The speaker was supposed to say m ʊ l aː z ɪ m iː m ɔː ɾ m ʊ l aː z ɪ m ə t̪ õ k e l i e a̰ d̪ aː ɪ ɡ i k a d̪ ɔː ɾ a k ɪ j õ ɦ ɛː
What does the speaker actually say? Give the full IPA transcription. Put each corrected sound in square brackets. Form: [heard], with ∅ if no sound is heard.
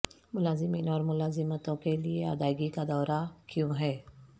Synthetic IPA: m ʊ l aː z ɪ m iː [n] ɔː ɾ m ʊ l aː z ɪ m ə t̪ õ k e l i e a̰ d̪ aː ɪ ɡ i k a d̪ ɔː ɾ a k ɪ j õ ɦ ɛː